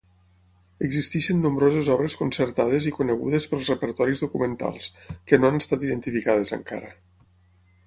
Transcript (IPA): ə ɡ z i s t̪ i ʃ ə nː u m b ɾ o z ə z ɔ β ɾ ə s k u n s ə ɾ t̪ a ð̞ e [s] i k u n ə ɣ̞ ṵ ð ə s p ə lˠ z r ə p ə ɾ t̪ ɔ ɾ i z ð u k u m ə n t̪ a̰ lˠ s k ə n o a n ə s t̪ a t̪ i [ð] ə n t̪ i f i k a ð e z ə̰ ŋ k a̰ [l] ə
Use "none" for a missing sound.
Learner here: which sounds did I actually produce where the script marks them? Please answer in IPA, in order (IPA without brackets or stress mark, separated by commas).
z, ð, ɾ